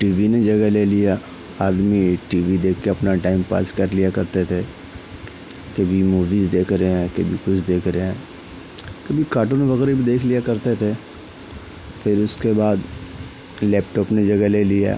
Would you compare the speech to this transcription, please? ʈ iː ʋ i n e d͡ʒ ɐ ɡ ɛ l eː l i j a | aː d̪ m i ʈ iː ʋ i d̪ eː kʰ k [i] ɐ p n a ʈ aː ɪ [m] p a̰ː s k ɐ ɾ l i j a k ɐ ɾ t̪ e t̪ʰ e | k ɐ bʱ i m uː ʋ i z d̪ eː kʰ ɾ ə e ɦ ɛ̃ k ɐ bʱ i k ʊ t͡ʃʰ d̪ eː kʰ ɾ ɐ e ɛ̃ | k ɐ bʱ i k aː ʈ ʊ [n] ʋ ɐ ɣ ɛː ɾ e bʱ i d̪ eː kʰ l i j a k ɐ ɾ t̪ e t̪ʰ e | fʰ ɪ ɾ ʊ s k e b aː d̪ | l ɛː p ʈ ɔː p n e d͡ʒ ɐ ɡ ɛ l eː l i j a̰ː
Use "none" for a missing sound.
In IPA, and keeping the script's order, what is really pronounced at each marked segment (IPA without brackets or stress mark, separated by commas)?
e, m, n